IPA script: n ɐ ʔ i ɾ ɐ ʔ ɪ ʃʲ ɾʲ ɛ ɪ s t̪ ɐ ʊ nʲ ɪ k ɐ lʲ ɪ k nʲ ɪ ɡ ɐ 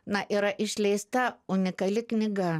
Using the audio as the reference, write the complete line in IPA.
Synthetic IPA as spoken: n ɐ ʔ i ɾ ɐ ʔ ɪ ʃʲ lʲ ɛ ɪ s t̪ ɐ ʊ nʲ ɪ k ɐ lʲ ɪ k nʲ ɪ ɡ ɐ